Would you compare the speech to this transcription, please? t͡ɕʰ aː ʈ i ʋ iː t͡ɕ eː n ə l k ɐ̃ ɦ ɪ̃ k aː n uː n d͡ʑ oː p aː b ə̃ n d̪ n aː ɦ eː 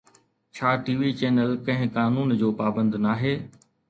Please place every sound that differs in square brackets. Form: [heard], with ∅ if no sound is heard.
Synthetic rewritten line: t͡ɕʰ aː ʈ [iː] ʋ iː t͡ɕ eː n ə l k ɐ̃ ɦ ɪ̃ k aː n uː n d͡ʑ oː p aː b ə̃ n d̪ n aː ɦ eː